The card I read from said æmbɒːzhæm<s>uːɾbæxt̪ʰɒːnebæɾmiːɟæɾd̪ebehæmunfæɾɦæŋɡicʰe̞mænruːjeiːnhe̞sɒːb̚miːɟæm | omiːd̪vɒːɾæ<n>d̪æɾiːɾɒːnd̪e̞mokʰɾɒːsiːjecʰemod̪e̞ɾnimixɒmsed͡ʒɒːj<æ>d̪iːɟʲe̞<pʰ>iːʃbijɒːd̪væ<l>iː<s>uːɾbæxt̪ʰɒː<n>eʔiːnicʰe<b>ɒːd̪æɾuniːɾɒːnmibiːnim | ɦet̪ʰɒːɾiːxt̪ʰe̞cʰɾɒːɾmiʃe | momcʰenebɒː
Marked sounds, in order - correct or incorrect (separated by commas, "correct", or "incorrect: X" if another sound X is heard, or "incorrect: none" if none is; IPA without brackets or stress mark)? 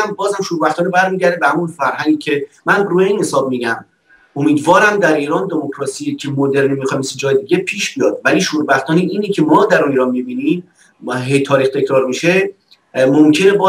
incorrect: ʃ, incorrect: m, incorrect: e, correct, correct, incorrect: ʃ, correct, incorrect: m